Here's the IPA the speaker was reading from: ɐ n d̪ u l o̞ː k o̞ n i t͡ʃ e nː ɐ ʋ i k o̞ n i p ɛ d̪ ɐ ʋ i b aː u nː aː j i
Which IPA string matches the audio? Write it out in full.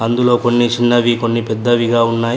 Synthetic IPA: ɐ n d̪ u l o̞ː k o̞ nː i t͡ʃ i nː ɐ ʋ i k o̞ nː i p ɛ d̪ː ɐ ʋ i ɡ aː u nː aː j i